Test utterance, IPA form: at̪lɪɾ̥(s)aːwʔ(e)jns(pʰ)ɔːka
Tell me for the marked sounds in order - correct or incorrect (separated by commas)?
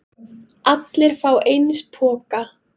incorrect, correct, correct